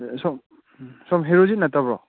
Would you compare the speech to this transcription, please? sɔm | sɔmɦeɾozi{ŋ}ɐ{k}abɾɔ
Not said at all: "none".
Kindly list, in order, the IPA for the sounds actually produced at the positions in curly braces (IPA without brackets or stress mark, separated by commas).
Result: n, t